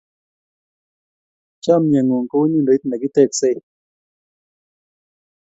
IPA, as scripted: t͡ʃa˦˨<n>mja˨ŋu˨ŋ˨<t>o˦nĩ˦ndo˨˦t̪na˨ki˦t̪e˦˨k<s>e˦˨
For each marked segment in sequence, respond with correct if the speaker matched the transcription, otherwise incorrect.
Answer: incorrect, incorrect, correct

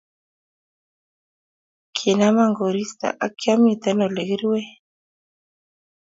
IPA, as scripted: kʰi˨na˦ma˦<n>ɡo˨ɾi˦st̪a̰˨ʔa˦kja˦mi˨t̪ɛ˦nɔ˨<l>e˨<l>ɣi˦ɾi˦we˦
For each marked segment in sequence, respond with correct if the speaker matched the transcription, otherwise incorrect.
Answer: incorrect, correct, incorrect

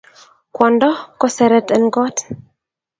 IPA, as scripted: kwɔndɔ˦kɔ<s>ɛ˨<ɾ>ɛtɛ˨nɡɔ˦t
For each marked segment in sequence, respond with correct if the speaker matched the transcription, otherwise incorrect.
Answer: correct, correct

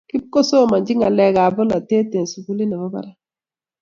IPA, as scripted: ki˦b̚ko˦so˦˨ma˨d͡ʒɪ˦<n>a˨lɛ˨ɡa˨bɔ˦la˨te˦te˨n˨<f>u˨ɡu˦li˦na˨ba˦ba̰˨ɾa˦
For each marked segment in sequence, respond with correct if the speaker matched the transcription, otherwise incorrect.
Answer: incorrect, incorrect

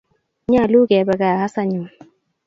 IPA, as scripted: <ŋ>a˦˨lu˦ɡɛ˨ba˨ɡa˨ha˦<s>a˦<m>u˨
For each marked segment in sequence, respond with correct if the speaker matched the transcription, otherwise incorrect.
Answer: incorrect, correct, incorrect

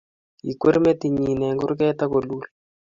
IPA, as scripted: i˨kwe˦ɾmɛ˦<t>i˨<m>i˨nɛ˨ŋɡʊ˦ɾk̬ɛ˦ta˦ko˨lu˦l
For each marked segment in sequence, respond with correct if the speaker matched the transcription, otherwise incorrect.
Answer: correct, incorrect

